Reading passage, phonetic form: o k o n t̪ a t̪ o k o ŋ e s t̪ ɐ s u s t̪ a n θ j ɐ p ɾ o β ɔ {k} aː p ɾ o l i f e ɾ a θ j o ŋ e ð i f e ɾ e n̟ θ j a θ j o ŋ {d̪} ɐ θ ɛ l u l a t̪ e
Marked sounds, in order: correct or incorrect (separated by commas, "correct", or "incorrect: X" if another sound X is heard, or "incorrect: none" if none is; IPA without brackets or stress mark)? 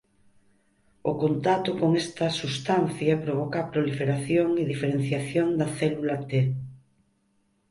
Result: correct, correct